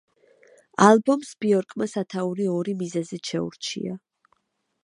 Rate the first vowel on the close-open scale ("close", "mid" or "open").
open